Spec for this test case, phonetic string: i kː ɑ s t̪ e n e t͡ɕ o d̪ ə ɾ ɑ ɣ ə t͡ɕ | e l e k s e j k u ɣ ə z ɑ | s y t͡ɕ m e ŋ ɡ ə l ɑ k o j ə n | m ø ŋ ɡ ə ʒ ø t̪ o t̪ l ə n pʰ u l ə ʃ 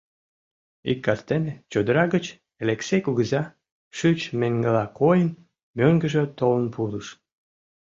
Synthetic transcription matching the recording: i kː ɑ s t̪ e n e t͡ɕ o d̪ ə ɾ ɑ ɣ ə t͡ɕ | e l e k s e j k u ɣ ə z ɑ | ʃ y t͡ɕ m e ŋ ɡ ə l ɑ k o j ə n | m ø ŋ ɡ ə ʒ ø t̪ o l ə n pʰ u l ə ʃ